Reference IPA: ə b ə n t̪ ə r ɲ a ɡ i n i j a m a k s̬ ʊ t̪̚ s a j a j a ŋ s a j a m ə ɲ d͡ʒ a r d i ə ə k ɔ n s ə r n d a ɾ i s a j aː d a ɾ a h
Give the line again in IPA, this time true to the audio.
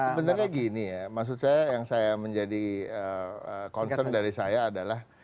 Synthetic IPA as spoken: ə b ə n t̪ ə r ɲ a ɡ i n i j a m a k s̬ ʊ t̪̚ s a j a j a ŋ s a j a m ə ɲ d͡ʒ a d i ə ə k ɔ n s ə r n d a ɾ i s a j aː d a l a h